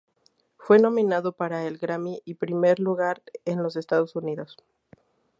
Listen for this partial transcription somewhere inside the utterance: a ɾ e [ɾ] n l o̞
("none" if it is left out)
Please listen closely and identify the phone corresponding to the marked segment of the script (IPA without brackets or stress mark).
none